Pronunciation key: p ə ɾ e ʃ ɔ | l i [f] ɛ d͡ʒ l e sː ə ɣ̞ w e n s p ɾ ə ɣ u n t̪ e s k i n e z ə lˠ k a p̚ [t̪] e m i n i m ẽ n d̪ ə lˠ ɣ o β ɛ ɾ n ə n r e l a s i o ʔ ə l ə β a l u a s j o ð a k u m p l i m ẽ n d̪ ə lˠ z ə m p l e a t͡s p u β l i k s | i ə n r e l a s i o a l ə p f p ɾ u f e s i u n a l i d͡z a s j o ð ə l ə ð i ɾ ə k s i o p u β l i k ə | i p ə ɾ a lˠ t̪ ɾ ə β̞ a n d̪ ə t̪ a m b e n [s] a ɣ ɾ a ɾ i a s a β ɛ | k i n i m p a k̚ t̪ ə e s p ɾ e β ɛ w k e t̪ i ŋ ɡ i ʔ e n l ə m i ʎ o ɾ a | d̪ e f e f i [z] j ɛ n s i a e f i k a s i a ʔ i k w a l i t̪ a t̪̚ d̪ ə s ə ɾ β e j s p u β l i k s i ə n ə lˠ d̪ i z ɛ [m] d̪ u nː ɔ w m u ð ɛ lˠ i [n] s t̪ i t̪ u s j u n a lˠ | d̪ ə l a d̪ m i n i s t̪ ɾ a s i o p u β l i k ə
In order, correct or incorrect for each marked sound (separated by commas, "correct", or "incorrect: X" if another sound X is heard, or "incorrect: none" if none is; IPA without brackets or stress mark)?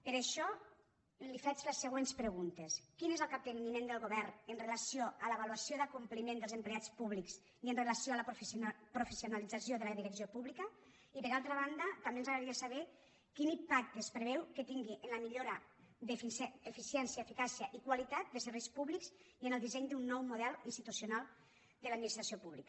correct, incorrect: d̪, incorrect: z, incorrect: s, incorrect: ɲ, correct